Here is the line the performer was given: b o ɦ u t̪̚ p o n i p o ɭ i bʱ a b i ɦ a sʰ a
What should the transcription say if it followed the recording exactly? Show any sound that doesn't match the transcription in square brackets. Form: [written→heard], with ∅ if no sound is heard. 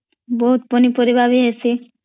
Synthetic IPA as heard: b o ɦ u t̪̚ p o n i p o [ɭ→ɾ] i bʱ a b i ɦ [a→e] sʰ [a→i]